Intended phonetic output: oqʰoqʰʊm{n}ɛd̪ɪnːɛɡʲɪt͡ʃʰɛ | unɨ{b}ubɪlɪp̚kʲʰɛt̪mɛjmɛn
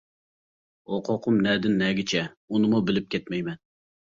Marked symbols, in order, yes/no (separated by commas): yes, no